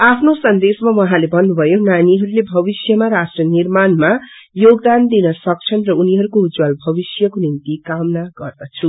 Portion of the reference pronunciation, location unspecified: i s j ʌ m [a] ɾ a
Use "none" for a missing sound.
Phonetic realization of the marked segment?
a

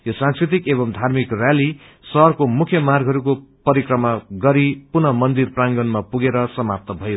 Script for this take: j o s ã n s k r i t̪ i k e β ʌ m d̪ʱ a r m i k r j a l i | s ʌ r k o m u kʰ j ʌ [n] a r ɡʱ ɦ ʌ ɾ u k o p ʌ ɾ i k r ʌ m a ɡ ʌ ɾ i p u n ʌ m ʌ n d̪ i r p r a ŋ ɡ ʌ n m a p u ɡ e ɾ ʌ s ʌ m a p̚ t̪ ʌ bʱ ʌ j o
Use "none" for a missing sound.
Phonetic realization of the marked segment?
m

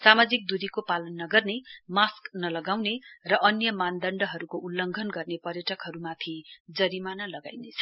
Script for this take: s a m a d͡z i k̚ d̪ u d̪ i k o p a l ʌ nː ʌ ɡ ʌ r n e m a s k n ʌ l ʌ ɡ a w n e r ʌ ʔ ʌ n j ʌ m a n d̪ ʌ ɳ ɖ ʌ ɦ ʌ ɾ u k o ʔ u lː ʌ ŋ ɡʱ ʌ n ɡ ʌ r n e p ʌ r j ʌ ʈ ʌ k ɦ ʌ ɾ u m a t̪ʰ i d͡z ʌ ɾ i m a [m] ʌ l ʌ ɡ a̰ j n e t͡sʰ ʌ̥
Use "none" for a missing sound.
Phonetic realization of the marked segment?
n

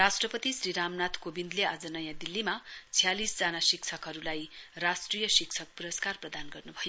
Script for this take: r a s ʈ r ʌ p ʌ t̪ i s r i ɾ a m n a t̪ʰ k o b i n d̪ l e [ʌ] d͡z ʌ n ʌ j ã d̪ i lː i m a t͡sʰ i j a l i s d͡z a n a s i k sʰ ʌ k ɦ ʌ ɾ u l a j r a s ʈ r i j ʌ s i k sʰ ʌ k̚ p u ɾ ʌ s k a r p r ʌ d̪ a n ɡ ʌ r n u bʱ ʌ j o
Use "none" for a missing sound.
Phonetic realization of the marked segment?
a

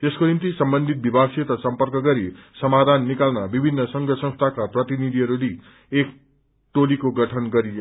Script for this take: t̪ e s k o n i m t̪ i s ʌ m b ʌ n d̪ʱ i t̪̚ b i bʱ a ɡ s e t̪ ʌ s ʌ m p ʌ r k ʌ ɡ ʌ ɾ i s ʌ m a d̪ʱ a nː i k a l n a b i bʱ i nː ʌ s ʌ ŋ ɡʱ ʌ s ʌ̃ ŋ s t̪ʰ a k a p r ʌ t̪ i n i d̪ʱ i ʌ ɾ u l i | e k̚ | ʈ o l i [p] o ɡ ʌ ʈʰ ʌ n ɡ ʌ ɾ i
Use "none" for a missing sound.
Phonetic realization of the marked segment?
k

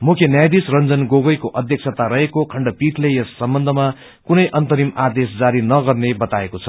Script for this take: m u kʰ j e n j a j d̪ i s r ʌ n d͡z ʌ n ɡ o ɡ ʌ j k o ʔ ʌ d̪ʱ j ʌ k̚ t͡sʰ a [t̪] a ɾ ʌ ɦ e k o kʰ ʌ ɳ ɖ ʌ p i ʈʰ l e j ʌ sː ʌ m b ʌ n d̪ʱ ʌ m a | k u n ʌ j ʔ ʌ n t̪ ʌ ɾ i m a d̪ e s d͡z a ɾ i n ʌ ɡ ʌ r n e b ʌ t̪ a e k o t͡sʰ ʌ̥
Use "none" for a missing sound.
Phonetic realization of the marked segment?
t̪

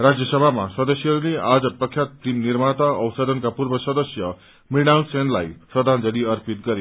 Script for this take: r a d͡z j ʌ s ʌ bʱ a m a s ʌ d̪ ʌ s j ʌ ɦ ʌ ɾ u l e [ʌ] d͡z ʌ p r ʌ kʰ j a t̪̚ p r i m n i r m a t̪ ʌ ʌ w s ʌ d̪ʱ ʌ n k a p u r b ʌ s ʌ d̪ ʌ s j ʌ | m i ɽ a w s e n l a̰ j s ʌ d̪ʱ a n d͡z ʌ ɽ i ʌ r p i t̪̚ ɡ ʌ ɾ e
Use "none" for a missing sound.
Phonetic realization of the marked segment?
a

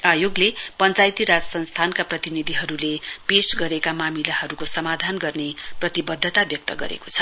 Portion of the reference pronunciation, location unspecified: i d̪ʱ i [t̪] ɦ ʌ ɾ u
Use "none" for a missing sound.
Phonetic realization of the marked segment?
none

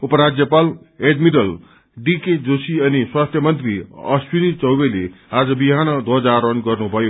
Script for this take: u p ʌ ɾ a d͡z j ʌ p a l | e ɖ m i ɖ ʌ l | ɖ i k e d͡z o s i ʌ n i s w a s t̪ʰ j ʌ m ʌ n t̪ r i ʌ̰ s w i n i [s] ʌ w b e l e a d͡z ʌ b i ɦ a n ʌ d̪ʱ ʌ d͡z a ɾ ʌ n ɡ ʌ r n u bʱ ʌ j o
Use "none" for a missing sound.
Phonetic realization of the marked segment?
t͡s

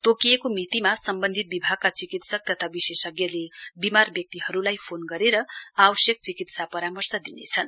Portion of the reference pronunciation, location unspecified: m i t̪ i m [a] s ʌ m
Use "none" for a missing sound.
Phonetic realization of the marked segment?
a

